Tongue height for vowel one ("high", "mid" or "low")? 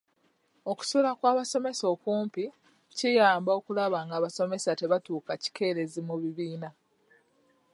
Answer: mid